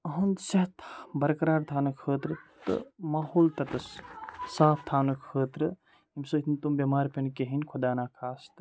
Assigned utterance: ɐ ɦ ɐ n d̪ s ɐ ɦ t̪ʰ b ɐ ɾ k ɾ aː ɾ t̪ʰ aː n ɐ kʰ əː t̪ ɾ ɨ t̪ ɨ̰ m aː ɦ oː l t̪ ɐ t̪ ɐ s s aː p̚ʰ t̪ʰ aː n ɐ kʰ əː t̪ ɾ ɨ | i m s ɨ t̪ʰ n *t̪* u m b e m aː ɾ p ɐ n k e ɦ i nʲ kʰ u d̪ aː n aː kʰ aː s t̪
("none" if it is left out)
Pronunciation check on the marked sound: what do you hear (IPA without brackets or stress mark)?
t̪